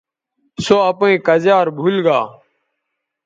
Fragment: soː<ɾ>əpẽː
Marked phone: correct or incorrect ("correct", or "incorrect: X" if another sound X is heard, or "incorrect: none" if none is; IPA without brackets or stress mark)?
incorrect: none